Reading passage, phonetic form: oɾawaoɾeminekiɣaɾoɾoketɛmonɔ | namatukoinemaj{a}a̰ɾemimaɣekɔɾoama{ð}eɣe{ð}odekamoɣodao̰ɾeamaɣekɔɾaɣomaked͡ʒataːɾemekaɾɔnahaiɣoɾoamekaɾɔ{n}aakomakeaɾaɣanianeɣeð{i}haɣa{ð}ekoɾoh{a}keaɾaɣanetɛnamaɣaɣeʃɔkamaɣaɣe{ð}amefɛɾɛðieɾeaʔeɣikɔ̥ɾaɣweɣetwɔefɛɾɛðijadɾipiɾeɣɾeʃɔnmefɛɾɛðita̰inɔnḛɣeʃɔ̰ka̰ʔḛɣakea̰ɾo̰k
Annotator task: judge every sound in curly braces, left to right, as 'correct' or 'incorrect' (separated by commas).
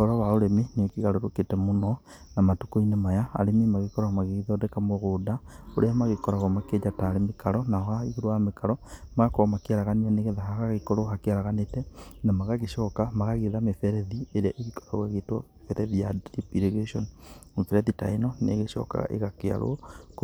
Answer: correct, incorrect, correct, incorrect, incorrect, incorrect, correct, correct